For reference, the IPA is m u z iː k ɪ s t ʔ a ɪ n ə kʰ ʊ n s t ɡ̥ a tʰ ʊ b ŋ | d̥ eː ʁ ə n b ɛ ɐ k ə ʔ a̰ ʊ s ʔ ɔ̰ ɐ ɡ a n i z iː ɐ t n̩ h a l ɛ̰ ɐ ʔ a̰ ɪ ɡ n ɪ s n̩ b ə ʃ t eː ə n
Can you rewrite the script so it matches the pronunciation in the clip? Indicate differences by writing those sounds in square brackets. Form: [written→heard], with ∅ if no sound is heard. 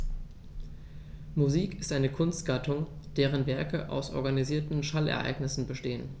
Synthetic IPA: m u z iː k ɪ s t ʔ a ɪ n ə kʰ ʊ n s t ɡ̥ a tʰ ʊ [b→∅] ŋ | d̥ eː ʁ ə n [b→v] ɛ ɐ k ə ʔ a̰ ʊ s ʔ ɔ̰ ɐ ɡ a n i z iː ɐ t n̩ [h→ʃ] a l ɛ̰ ɐ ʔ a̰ ɪ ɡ n ɪ s n̩ b ə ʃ t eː ə n